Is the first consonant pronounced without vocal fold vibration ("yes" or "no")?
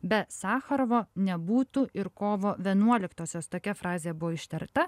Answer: no